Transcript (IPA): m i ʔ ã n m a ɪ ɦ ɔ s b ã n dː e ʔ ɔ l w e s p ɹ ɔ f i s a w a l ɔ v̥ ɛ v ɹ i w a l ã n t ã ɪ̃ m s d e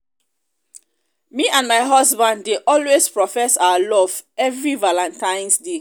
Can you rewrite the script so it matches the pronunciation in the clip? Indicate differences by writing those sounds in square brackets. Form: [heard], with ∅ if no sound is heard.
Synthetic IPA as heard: m i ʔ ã n m a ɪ ɦ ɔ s b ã n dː e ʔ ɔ l w e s p ɹ ɔ f [ɛ] s a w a l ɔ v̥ ɛ v ɹ i [v] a l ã n t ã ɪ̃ [n] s d e